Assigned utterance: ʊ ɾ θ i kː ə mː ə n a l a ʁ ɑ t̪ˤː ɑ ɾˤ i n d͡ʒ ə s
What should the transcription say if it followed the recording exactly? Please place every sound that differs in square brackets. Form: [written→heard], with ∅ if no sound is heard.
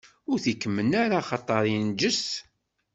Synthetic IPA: ʊ ɾ θ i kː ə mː ə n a [l→ɾ] a [ʁ→χ] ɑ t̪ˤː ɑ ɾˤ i n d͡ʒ ə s